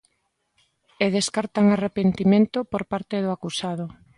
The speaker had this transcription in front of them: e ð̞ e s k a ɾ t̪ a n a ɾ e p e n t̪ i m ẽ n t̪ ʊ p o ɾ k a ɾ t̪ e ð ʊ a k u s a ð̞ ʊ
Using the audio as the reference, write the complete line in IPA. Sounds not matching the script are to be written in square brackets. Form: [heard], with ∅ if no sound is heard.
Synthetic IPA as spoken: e ð̞ e s k a ɾ t̪ a [ŋ] a [r] e p e n t̪ i m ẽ n t̪ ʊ p o ɾ [p] a ɾ t̪ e ð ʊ a k u s a ð̞ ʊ